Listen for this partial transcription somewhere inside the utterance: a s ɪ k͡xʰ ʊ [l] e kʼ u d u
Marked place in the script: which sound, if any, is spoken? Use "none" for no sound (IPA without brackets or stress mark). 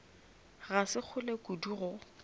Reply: l